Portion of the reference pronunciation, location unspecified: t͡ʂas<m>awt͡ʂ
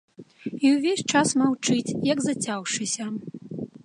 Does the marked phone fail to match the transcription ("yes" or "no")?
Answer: no